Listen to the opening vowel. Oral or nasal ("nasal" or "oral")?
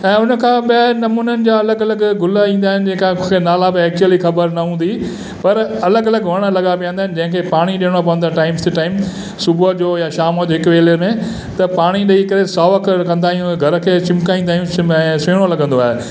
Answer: nasal